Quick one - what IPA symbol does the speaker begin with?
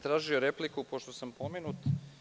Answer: t̪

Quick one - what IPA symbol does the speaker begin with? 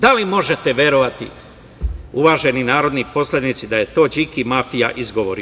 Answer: d̪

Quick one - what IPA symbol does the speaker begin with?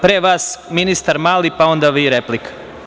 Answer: p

